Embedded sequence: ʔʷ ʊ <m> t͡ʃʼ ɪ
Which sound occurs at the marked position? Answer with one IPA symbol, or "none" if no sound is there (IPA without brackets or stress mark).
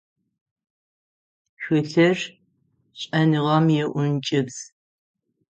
n